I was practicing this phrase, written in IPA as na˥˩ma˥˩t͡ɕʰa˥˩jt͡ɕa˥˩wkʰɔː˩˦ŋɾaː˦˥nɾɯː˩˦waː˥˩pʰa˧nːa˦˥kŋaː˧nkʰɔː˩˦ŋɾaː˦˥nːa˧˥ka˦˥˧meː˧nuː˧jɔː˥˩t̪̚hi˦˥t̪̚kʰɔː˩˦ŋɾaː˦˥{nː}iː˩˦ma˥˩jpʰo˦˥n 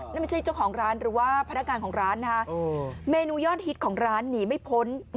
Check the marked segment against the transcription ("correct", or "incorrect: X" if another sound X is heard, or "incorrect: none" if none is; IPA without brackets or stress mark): correct